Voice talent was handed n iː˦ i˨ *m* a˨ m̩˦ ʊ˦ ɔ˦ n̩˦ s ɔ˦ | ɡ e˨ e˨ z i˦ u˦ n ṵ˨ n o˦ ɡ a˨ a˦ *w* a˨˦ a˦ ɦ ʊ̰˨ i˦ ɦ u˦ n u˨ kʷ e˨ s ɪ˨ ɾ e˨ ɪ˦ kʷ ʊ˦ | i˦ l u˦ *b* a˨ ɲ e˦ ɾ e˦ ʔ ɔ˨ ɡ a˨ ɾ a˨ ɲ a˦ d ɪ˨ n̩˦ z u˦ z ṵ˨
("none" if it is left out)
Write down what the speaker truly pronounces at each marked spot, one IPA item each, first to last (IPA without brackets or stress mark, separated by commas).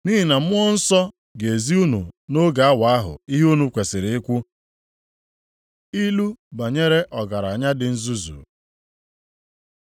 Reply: n, w, b